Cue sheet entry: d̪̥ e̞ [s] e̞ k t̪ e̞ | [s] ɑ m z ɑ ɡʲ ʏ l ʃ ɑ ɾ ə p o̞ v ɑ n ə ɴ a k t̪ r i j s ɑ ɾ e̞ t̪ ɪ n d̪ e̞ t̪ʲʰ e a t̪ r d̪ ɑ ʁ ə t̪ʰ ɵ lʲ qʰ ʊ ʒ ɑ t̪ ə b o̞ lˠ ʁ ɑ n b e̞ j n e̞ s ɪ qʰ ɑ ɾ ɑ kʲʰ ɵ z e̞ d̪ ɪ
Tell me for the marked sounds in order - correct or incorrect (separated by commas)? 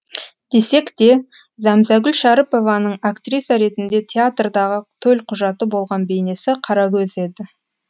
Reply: correct, incorrect